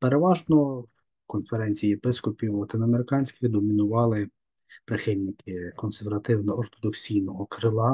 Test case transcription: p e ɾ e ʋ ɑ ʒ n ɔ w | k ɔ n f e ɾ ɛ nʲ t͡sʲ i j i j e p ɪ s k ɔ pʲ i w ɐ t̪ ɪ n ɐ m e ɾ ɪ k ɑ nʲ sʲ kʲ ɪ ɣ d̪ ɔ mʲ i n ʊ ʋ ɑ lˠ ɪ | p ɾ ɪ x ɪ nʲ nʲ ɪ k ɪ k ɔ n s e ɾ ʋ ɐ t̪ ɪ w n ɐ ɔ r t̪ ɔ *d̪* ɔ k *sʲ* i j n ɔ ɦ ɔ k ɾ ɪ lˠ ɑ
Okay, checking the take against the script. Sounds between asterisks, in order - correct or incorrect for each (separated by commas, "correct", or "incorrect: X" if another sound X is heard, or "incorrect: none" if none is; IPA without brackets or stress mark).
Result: correct, correct